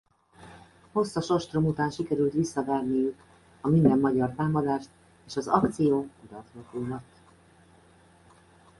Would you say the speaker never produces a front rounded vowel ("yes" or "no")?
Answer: no